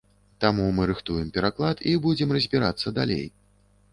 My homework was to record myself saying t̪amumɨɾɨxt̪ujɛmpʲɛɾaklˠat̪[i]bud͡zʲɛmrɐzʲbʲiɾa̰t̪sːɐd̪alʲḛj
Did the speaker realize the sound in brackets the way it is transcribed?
yes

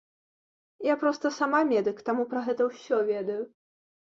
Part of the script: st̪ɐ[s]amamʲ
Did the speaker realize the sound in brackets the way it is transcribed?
yes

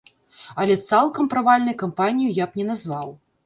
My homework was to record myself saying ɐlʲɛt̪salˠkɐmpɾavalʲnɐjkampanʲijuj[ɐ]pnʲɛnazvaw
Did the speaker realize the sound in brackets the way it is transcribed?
no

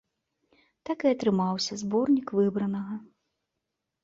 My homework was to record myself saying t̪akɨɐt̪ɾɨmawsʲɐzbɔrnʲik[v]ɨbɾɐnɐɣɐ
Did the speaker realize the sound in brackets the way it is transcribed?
yes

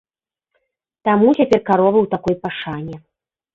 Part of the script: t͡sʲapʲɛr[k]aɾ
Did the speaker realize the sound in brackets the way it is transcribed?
yes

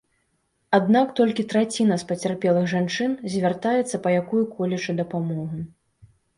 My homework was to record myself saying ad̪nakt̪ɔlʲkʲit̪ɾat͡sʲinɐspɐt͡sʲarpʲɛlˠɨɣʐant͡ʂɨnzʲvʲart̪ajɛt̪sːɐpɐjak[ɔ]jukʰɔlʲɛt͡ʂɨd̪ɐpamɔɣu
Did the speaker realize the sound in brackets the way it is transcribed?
no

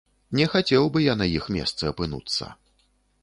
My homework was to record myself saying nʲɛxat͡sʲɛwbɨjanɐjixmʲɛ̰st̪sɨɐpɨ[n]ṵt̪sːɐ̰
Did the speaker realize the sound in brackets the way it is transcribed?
yes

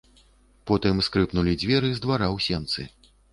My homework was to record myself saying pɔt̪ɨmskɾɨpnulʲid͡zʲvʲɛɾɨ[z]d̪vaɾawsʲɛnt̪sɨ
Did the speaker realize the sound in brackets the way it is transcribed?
yes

